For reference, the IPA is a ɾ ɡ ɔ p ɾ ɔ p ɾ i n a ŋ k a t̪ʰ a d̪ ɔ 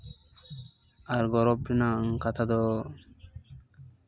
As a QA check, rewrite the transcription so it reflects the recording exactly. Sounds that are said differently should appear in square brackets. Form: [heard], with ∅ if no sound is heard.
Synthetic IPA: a ɾ ɡ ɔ [∅] ɾ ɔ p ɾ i n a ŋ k a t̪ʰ a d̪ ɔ